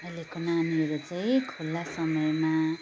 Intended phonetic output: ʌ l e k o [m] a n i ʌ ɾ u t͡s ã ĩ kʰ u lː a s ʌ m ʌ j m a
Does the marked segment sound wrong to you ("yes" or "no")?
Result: yes